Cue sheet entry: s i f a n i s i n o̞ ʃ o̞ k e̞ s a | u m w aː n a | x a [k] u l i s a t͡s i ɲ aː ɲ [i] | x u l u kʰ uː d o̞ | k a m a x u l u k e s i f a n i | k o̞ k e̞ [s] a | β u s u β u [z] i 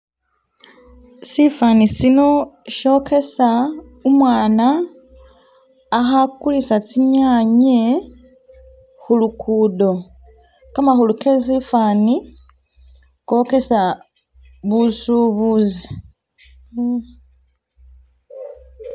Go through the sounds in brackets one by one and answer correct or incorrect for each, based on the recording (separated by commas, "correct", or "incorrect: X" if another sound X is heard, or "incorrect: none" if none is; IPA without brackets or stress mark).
correct, incorrect: e, correct, correct